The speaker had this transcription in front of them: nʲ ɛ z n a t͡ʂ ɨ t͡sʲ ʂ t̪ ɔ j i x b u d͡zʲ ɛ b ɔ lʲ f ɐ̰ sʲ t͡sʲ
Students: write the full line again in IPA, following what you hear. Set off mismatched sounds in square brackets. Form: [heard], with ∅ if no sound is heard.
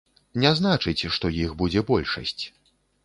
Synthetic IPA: nʲ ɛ z n a t͡ʂ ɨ t͡sʲ ʂ t̪ ɔ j i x b u d͡zʲ ɛ b ɔ lʲ [ʂ] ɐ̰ sʲ t͡sʲ